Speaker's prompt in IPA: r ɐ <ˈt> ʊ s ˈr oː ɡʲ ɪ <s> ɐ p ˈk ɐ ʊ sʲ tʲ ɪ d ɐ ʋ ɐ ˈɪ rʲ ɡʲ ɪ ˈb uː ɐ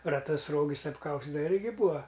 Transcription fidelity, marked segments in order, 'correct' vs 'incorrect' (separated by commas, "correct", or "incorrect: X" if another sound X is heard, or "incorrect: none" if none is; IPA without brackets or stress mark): correct, correct